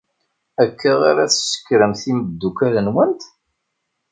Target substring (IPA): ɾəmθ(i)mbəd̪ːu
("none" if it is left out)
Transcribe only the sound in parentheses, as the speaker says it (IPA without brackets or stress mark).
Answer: i